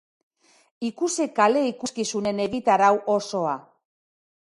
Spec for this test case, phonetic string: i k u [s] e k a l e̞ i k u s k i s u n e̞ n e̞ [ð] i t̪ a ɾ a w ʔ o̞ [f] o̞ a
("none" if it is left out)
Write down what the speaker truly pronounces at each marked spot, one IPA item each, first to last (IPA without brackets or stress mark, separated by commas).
s, ɣ, s